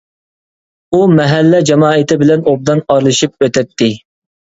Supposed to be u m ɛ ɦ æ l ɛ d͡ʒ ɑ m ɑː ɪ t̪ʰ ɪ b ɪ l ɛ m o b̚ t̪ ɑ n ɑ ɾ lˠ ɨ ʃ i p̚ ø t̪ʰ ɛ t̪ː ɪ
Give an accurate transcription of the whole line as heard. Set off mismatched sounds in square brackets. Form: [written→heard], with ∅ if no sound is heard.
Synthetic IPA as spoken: u m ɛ ɦ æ [l→lː] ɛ d͡ʒ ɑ m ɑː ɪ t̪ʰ ɪ b ɪ l ɛ [m→n] o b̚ [t̪→d̪] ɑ n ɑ ɾ lˠ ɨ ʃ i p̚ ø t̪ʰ ɛ t̪ː ɪ